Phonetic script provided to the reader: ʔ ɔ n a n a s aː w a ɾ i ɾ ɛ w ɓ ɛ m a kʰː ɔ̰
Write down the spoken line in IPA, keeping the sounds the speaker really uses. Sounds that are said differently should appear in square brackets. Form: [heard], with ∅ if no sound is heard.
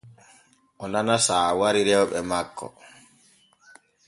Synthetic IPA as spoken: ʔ ɔ n a n a s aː w a ɾ i ɾ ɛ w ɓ ɛ m a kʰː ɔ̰